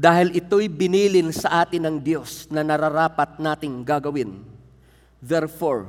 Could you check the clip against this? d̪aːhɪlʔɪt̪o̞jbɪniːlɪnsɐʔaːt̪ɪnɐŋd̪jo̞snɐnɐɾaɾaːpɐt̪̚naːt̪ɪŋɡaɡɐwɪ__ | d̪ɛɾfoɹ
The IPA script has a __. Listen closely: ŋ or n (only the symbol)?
n